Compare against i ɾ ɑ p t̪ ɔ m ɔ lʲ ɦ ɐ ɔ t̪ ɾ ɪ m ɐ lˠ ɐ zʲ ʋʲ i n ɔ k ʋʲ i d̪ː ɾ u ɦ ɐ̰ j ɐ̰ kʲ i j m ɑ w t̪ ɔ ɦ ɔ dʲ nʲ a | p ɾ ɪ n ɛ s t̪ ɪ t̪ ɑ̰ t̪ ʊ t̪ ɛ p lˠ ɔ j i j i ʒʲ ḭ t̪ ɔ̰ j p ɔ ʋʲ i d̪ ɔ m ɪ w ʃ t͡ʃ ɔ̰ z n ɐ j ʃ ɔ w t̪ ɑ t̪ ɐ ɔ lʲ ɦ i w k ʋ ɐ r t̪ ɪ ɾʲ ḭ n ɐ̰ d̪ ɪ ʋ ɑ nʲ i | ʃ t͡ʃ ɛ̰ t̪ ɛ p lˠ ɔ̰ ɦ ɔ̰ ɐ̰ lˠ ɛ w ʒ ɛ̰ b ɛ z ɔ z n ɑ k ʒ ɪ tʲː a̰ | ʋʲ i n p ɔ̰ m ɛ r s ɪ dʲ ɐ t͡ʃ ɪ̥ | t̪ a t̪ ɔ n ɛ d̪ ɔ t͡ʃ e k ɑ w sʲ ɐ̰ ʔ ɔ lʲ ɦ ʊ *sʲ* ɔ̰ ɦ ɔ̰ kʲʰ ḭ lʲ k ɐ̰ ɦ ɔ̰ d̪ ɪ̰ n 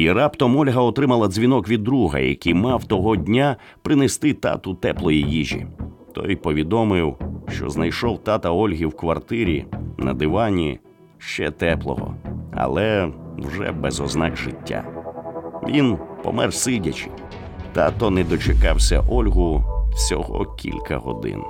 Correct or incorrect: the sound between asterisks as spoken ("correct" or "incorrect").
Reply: correct